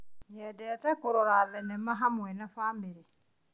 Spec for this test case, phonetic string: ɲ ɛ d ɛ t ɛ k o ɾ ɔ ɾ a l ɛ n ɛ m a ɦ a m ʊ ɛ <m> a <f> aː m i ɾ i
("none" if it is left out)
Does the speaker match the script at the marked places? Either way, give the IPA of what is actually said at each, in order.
n, f

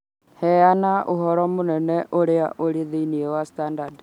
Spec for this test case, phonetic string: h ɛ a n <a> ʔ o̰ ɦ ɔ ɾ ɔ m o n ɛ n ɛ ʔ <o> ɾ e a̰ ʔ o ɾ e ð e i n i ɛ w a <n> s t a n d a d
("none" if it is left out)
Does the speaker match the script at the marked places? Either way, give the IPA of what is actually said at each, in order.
a, o, none

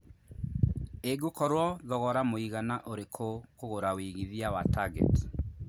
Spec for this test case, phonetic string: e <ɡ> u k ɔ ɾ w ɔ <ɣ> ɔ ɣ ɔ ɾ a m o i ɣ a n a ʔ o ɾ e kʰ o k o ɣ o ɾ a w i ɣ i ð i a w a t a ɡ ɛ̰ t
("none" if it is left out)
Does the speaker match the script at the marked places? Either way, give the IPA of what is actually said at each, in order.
ɡ, ð

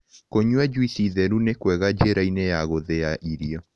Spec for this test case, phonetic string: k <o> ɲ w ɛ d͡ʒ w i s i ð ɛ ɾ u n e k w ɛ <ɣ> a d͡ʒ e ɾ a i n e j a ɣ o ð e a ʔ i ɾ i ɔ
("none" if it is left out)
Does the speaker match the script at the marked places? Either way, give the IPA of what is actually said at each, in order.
o, ɣ

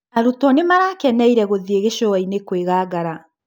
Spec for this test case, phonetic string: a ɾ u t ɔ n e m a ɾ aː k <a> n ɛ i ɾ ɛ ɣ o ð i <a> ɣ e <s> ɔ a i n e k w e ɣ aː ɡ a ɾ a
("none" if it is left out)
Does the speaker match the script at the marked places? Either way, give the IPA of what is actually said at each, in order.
ɛ, e, ʃ

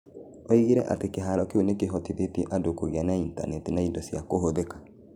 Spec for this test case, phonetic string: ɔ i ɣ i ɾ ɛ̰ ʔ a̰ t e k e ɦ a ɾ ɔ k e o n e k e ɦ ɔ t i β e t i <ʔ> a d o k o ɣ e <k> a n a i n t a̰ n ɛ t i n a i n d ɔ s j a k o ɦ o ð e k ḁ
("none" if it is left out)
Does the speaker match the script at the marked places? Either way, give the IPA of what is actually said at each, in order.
ʔ, none

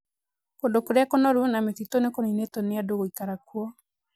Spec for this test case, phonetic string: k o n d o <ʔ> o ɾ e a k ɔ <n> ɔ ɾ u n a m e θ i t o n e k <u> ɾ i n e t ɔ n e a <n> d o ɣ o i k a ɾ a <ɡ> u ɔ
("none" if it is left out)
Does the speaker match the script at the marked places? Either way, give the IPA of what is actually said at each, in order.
k, n, o, none, k

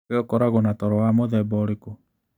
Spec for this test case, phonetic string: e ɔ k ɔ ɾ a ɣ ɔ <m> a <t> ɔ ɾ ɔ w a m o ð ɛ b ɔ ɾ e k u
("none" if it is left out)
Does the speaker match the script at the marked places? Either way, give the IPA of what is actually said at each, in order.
n, t

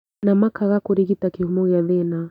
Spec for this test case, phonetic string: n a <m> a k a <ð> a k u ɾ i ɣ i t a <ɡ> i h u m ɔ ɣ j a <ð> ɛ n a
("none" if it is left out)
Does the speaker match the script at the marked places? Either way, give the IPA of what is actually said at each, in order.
m, ɣ, k, ð

